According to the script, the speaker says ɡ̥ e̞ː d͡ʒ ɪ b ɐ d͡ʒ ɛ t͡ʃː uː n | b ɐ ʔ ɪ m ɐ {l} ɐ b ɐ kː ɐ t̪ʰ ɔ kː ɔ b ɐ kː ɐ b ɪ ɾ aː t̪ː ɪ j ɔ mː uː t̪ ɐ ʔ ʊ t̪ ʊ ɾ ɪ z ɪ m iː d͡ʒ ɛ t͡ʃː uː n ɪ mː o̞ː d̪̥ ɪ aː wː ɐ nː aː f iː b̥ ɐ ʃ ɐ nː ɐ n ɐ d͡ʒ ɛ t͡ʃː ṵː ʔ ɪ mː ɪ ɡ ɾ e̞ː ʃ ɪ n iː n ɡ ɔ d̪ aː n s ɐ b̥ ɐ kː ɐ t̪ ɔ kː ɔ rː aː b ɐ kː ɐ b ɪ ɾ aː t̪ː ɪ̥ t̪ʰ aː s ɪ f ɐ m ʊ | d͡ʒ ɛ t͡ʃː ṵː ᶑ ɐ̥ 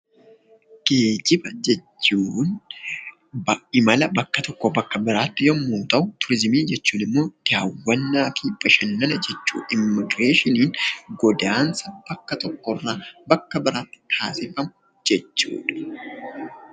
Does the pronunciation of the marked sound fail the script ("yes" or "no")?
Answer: no